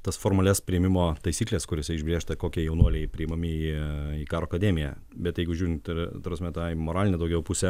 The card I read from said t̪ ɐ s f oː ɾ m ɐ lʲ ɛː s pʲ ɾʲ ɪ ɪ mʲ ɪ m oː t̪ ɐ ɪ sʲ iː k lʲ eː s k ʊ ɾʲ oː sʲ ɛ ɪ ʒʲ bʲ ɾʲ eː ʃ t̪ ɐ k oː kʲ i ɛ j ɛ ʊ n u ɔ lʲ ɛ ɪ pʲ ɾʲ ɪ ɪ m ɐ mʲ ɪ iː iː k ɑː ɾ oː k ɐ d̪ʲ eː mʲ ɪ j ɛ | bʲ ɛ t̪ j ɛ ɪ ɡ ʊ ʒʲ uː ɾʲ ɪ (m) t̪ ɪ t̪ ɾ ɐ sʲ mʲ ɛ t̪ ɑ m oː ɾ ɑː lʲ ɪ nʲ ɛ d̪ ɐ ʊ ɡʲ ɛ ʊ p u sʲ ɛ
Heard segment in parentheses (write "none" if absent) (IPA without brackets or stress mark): n